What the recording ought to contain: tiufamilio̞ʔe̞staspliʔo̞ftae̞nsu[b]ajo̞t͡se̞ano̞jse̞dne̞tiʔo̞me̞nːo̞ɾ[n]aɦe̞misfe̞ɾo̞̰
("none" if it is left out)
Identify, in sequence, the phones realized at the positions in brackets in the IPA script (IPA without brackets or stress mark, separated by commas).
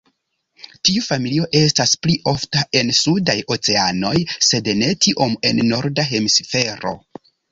d, d